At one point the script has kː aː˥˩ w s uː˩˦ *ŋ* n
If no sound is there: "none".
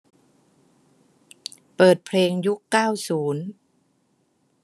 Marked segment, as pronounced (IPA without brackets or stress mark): none